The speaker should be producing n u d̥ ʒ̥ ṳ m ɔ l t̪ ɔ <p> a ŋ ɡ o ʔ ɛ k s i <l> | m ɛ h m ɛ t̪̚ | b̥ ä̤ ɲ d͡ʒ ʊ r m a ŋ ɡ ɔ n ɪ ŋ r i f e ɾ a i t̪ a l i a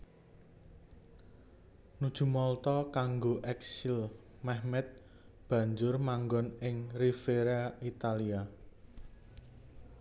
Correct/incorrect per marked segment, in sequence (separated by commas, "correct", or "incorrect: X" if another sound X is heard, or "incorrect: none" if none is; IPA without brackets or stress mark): incorrect: k, correct